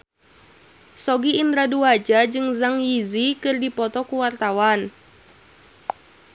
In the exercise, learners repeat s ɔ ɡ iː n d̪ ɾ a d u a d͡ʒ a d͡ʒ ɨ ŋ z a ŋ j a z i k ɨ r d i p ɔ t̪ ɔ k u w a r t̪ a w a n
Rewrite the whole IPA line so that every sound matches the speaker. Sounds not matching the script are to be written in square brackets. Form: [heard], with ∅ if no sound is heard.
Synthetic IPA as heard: s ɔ ɡ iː n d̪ ɾ a d u a d͡ʒ a d͡ʒ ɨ ŋ z a ŋ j [i] z i k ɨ r d i p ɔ t̪ ɔ k u w a r t̪ a w a n

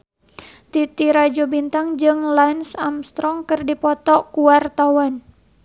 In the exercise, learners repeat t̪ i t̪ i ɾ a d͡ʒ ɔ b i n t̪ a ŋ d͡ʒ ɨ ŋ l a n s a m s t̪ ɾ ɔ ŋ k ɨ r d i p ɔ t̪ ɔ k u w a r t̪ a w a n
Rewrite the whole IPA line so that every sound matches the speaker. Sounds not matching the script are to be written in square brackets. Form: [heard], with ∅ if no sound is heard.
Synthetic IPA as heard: t̪ i t̪ i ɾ a d͡ʒ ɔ b i n t̪ a ŋ d͡ʒ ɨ ŋ l a n s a m s t̪ ɾ ɔ ŋ k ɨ r d i p ɔ t̪ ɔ k u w a r t̪ a w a n

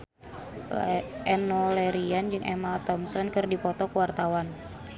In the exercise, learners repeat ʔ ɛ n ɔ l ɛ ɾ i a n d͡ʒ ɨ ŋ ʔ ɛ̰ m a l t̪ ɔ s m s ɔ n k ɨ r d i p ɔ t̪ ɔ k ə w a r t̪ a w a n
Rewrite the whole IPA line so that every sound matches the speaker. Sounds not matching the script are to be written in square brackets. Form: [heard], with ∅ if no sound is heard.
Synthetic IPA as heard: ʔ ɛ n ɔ l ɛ ɾ i a n d͡ʒ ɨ ŋ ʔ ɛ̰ m a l t̪ ɔ [∅] m s ɔ n k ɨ r d i p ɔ t̪ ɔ k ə w a r t̪ a w a n

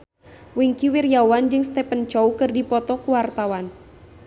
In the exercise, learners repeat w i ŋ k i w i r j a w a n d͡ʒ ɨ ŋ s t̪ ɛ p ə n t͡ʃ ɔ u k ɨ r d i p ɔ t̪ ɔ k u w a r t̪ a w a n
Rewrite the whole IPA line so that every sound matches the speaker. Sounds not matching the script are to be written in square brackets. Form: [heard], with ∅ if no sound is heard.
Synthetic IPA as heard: w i ŋ k i w i r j a w a n d͡ʒ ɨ ŋ s t̪ ɛ p ə n t͡ʃ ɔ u k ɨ r d i p ɔ t̪ ɔ k u w a r t̪ a w a n

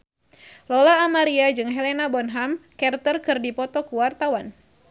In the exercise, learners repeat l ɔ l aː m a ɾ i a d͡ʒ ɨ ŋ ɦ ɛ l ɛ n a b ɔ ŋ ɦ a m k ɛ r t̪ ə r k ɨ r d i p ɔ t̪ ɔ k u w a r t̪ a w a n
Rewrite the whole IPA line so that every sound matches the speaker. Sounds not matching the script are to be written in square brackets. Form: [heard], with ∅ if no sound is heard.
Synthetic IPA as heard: l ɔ l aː m a ɾ i a d͡ʒ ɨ ŋ ɦ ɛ l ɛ n a b ɔ [n] ɦ a m k ɛ r t̪ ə r k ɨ r d i p ɔ t̪ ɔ k u w a r t̪ a w a n

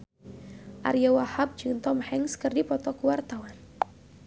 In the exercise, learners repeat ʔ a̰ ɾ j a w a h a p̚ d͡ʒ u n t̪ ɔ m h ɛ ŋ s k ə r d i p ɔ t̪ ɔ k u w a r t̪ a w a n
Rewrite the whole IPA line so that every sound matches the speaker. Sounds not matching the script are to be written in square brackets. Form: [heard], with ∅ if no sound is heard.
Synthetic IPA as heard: ʔ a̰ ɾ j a w a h a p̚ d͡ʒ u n t̪ ɔ m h ɛ ŋ s k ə r d i p ɔ t̪ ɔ k u w a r t̪ a w a n

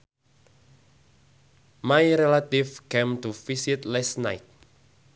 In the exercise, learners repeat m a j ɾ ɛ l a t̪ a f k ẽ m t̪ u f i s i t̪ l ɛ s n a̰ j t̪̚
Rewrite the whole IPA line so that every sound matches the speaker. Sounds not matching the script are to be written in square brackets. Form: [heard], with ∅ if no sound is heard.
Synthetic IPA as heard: m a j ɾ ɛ l a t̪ [i] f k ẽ m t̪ u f i s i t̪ l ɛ s n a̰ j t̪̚

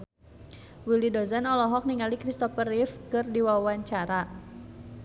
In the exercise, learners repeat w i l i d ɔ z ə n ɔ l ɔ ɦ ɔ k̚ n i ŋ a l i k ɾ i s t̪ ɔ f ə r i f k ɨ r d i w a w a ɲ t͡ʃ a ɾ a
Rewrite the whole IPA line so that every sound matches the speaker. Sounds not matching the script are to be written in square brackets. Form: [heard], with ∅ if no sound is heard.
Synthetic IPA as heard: w i l i d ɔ z [a] n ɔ l ɔ ɦ ɔ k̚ n i ŋ a l i k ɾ i s t̪ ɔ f ə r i f k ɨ r d i w a w a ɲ t͡ʃ a ɾ a

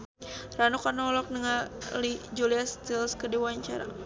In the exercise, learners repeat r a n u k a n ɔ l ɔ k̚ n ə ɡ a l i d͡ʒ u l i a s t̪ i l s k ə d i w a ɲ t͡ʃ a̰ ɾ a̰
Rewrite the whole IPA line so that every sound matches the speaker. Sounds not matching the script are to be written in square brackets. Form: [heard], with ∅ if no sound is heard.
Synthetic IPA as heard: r a n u k a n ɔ l ɔ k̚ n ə [ŋ] a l i d͡ʒ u l i a s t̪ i l s k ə d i w a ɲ t͡ʃ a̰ ɾ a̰

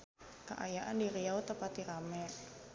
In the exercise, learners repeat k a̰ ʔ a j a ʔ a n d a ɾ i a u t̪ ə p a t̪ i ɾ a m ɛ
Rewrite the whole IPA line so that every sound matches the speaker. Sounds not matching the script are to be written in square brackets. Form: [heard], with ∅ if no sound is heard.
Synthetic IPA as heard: k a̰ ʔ a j a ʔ a n d [i] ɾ i a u t̪ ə p a t̪ i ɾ a m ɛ

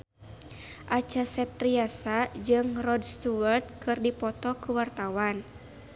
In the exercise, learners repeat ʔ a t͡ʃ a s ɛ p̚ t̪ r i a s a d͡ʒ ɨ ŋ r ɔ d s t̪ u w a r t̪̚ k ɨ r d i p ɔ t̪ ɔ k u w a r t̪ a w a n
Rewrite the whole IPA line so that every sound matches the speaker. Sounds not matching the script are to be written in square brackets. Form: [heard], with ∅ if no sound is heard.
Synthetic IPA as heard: ʔ a t͡ʃ a s ɛ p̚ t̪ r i a s a d͡ʒ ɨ ŋ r ɔ d s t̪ u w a r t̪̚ k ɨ r d i p ɔ t̪ ɔ k u w a r t̪ a w a n

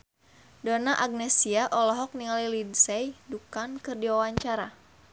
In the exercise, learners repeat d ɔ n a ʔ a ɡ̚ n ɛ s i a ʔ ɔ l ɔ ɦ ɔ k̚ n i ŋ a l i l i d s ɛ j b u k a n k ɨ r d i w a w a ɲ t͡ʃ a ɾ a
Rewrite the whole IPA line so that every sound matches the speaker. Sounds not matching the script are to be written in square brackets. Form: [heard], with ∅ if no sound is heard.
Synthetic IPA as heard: d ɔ n a ʔ a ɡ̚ n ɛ s i a ʔ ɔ l ɔ ɦ ɔ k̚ n i ŋ a l i l i d s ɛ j [d] u k a n k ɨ r d i w a w a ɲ t͡ʃ a ɾ a

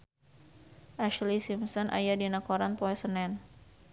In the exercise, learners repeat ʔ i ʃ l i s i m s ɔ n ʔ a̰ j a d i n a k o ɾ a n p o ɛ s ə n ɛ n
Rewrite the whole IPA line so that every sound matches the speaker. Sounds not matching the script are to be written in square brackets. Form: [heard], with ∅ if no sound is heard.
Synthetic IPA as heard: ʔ [a] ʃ l i s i m s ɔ n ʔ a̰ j a d i n a k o ɾ a n p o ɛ s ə n ɛ n

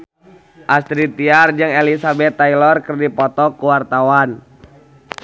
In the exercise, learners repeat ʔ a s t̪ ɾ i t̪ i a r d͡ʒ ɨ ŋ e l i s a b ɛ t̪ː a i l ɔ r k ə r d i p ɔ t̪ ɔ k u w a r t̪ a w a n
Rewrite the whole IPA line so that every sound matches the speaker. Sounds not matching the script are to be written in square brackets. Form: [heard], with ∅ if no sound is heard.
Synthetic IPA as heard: ʔ a s t̪ ɾ i t̪ i a r d͡ʒ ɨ ŋ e l i s a b ɛ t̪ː a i l ɔ r k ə r d i p ɔ t̪ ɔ k u w a r t̪ a w a n

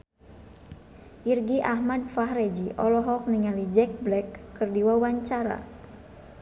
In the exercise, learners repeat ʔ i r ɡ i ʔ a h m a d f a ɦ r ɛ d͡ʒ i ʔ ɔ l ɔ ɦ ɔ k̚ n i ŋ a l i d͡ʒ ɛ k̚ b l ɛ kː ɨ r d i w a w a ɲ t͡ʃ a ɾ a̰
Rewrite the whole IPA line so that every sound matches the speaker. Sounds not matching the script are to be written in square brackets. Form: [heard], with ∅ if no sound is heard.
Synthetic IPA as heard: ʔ i r ɡ i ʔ a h m a d f a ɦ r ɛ d͡ʒ i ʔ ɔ l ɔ ɦ ɔ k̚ n i ŋ a l i d͡ʒ ɛ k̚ b l ɛ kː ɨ r d i w a w a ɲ t͡ʃ a ɾ a̰

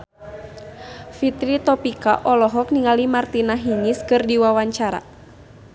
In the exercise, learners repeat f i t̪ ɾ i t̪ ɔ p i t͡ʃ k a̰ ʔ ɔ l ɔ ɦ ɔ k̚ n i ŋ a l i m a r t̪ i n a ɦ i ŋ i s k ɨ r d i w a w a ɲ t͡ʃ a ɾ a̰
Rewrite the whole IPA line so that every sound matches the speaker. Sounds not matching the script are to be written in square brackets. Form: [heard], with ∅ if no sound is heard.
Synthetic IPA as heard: f i t̪ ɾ i t̪ ɔ p i [∅] k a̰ ʔ ɔ l ɔ ɦ ɔ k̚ n i ŋ a l i m a r t̪ i n a ɦ i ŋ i s k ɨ r d i w a w a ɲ t͡ʃ a ɾ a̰

